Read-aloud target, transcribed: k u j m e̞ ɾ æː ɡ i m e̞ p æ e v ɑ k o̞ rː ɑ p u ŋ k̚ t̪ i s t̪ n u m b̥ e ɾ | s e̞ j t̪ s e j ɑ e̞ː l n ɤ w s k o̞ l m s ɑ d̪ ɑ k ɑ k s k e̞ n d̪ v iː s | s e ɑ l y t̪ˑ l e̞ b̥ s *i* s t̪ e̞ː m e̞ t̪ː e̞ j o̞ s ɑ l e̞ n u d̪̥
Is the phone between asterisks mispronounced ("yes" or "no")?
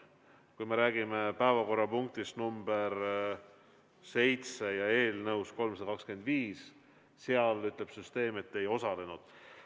yes